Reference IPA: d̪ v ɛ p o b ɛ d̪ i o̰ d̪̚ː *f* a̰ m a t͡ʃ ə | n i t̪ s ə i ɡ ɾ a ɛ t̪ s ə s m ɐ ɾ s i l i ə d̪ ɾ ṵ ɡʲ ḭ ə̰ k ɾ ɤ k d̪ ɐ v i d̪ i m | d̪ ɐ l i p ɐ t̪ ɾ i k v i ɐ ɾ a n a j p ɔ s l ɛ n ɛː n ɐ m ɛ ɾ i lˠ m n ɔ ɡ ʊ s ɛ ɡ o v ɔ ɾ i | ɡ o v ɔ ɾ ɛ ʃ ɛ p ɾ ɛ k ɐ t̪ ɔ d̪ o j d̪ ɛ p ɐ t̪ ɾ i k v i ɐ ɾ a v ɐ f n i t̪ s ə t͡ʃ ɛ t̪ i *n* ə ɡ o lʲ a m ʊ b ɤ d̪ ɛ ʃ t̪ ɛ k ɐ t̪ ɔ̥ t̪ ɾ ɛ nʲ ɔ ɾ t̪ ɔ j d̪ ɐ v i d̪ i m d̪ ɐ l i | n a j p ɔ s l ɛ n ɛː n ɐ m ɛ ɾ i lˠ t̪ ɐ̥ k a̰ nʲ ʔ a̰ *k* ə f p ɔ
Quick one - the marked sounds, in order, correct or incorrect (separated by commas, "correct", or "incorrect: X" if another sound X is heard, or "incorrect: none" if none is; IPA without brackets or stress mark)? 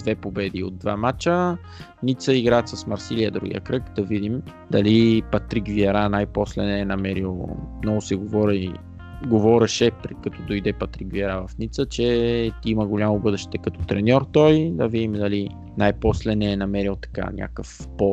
incorrect: v, incorrect: m, correct